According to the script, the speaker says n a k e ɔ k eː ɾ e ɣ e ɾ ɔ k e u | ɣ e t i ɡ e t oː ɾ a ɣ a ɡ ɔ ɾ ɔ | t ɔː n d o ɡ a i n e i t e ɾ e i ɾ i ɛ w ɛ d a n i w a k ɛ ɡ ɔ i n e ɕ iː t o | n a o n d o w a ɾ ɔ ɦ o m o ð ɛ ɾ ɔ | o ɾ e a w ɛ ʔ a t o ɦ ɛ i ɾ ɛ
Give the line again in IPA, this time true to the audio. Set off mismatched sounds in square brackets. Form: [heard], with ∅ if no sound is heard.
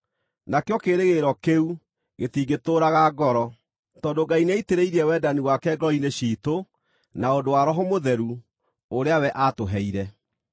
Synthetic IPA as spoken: n a k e ɔ k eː ɾ e ɣ e ɾ ɔ k e u | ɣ e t i ɡ e t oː ɾ a ɣ a ɡ ɔ ɾ ɔ | t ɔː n d o ɡ a i n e i t e ɾ e i ɾ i ɛ w ɛ d a n i w a k ɛ ɡ ɔ i n e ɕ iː t o | n a o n d o w a ɾ ɔ ɦ o m o ð ɛ ɾ [u] | o ɾ e a w ɛ ʔ a t o ɦ ɛ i ɾ ɛ